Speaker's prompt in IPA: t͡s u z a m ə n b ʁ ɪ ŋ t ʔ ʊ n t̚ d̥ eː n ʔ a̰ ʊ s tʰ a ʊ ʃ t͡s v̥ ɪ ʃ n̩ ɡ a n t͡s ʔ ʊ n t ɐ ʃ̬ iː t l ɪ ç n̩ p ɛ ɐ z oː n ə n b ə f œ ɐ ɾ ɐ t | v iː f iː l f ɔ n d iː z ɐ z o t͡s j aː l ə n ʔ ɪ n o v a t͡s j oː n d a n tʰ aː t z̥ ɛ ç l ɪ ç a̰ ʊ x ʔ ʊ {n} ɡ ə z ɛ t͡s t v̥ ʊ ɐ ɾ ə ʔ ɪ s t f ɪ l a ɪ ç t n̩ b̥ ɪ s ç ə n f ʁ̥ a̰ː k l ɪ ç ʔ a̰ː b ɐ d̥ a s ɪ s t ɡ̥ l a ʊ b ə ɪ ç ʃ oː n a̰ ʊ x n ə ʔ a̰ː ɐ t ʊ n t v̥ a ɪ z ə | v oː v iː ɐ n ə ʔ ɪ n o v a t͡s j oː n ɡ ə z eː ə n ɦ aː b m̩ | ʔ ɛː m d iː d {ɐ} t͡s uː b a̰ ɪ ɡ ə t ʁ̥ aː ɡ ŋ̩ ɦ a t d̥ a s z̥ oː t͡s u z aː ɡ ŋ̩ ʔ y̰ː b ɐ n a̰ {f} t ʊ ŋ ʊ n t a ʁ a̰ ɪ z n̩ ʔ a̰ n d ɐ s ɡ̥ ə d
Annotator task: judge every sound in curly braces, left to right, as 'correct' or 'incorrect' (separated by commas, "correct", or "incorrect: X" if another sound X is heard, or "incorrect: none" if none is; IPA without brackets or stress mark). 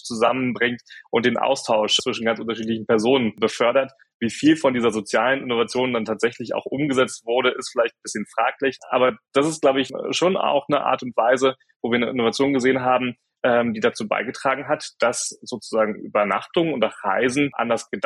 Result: incorrect: m, incorrect: a, incorrect: χ